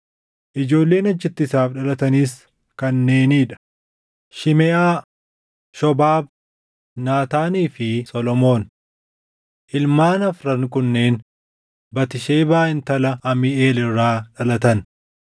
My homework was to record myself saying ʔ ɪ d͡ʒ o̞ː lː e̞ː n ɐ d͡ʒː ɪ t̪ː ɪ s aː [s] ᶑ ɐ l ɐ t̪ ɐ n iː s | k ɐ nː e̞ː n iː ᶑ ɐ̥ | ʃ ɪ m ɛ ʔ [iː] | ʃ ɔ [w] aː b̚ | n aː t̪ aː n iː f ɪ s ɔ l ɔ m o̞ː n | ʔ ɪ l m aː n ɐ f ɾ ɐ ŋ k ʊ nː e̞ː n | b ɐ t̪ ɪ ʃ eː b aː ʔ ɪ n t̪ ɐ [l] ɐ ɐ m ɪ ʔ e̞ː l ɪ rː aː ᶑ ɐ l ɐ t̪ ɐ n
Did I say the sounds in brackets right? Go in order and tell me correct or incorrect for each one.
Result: incorrect: f, incorrect: aː, incorrect: b, correct

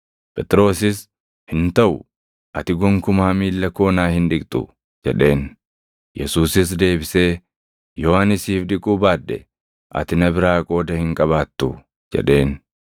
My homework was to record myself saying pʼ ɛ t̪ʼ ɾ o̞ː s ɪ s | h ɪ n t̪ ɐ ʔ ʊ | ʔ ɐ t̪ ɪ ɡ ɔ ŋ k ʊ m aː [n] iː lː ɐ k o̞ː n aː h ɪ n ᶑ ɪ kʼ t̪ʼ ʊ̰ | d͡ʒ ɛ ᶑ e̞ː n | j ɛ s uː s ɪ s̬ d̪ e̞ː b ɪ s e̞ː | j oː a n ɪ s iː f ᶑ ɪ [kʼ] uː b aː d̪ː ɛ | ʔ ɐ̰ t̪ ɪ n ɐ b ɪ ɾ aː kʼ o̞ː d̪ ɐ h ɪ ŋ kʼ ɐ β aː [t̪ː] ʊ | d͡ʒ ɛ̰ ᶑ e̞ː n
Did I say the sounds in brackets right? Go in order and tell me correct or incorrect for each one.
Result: incorrect: m, correct, correct

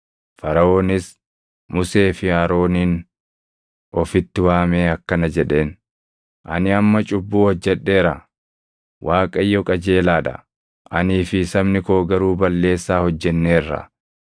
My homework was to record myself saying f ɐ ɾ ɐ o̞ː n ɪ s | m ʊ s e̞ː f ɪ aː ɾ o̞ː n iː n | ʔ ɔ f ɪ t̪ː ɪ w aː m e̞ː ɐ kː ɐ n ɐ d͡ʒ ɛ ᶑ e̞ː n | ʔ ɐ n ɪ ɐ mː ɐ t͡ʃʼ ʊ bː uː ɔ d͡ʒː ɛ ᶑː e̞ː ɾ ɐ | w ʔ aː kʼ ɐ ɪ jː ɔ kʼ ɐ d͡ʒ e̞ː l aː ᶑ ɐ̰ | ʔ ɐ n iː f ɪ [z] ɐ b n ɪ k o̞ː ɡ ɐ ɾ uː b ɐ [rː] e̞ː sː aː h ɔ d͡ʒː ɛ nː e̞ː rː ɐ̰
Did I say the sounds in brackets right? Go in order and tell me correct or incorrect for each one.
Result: incorrect: s, incorrect: lː

